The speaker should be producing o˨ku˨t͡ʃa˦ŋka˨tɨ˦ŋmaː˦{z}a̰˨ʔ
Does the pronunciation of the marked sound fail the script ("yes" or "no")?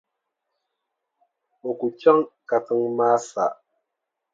yes